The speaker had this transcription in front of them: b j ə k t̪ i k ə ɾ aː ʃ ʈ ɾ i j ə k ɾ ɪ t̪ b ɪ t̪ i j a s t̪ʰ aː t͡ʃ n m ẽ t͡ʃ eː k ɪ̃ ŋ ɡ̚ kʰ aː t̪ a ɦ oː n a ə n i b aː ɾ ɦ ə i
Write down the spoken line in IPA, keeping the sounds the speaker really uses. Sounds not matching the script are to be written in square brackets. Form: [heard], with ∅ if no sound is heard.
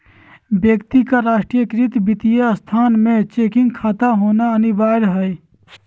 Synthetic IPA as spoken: b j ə k t̪ i k [a] ɾ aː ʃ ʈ ɾ i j ə k ɾ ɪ t̪ b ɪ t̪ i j a s t̪ʰ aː [∅] n m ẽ t͡ʃ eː k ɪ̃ ŋ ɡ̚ kʰ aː t̪ a ɦ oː n a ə n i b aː ɾ ɦ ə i